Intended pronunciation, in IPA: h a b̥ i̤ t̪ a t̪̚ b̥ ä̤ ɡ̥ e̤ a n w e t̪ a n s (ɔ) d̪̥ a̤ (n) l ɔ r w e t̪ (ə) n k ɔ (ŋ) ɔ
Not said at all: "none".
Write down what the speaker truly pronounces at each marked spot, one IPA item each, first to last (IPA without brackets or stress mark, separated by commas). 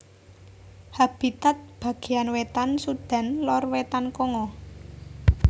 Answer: u, n, a, ŋ